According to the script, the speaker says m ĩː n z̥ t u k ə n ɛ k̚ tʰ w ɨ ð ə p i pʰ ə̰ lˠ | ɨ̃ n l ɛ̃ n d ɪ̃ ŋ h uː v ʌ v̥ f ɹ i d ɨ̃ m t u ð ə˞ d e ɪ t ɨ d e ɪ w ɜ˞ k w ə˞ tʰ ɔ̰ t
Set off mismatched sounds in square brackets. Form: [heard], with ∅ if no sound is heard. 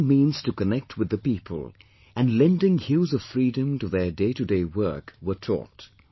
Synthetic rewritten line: m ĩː n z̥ t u k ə n ɛ k̚ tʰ w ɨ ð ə p i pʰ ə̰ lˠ | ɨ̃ n l ɛ̃ n d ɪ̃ ŋ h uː [z] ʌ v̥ f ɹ i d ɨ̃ m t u ð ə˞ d e ɪ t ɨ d e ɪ w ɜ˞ k w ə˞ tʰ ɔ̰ t